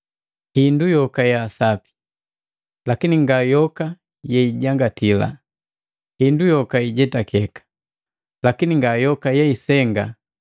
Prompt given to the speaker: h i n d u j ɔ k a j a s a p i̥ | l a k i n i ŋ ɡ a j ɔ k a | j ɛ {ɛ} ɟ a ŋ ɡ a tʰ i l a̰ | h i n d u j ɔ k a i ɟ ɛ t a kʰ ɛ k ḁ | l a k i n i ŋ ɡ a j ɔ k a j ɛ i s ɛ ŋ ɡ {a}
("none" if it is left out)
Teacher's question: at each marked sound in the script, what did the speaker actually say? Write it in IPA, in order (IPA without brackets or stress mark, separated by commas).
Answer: i, a